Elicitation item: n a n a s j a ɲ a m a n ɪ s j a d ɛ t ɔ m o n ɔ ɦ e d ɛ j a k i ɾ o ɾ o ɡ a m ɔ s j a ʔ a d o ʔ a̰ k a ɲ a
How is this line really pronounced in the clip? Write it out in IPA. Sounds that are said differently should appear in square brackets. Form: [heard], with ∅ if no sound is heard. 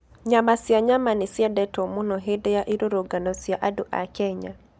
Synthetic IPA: [ɲ] a [m] a s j a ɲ a m a n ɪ s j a d ɛ t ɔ m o n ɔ ɦ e d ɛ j a [ʔ] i ɾ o ɾ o ɡ a [n] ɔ s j a ʔ a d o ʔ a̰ k [ɛ] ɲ a